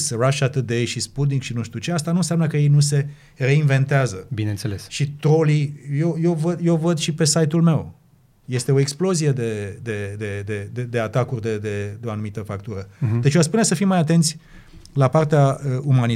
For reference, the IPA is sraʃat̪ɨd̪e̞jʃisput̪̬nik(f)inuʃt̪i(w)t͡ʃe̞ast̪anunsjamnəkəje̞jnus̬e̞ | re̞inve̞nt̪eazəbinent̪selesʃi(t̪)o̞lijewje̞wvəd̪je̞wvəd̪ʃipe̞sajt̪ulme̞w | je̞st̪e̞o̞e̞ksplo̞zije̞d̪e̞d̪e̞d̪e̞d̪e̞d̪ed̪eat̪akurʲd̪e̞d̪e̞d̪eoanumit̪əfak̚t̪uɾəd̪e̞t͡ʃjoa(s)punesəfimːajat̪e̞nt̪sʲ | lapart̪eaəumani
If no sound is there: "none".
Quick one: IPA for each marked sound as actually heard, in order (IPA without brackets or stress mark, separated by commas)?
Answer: ʃ, u, t̪, s